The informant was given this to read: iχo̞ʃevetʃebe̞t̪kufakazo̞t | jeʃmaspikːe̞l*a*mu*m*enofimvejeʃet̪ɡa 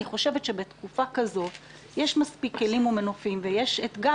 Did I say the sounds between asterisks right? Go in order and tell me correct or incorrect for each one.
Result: incorrect: i, correct

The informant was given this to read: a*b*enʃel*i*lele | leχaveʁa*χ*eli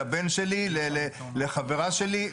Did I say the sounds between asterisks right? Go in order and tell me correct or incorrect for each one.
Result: correct, correct, incorrect: ʃ

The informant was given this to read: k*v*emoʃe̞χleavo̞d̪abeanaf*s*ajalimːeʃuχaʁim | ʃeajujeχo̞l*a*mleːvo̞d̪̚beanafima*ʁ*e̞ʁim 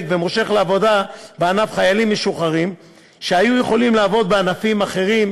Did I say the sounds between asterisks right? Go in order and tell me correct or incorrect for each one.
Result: correct, incorrect: χ, incorrect: i, incorrect: χ

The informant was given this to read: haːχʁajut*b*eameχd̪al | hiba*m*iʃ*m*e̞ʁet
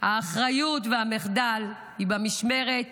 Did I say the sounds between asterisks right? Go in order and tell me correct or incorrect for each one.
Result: incorrect: v, correct, correct

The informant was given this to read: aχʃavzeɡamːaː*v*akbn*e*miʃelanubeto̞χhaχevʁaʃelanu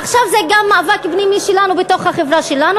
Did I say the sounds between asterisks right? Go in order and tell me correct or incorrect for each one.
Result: correct, incorrect: i

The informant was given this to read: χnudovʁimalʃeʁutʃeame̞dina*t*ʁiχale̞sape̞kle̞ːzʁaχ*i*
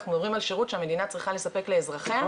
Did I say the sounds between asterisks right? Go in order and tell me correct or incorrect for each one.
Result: incorrect: t͡s, incorrect: e

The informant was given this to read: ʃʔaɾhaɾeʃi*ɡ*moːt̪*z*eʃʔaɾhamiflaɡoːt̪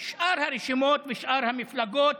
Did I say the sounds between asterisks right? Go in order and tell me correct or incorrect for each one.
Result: incorrect: none, incorrect: v

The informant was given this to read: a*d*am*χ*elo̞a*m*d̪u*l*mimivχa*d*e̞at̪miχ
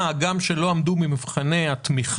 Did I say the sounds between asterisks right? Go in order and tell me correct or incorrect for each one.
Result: incorrect: ɡ, incorrect: ʃ, correct, incorrect: none, incorrect: n

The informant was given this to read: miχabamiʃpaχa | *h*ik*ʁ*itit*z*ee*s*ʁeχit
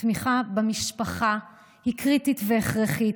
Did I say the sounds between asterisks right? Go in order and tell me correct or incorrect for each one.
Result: correct, correct, incorrect: v, incorrect: χ

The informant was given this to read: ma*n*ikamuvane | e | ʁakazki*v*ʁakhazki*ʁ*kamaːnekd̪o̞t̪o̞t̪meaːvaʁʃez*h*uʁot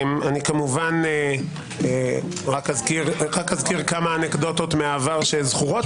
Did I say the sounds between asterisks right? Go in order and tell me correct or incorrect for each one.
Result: correct, incorrect: ʁ, correct, incorrect: χ

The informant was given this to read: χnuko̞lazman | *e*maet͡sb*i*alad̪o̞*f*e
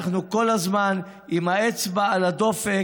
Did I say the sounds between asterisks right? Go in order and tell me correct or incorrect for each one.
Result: incorrect: i, incorrect: a, correct

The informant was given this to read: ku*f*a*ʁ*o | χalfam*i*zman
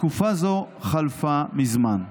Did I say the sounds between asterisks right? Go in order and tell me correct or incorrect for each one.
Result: correct, incorrect: z, correct

